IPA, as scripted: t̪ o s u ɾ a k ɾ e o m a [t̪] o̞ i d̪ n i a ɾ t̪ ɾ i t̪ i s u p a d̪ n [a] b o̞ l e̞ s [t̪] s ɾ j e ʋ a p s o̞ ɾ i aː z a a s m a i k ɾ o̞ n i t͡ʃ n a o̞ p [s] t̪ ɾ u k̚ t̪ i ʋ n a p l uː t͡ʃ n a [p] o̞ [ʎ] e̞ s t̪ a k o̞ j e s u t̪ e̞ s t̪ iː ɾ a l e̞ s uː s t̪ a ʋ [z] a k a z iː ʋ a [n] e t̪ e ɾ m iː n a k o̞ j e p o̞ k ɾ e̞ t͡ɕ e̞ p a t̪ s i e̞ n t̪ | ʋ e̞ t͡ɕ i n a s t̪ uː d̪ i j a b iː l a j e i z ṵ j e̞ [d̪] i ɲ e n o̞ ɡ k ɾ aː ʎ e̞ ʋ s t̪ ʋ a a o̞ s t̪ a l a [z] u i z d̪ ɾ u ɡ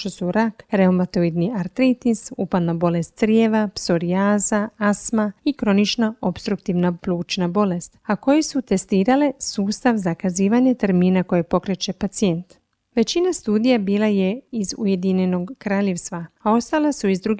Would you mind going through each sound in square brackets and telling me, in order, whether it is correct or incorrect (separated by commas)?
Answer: correct, correct, correct, correct, incorrect, incorrect, correct, incorrect, correct, incorrect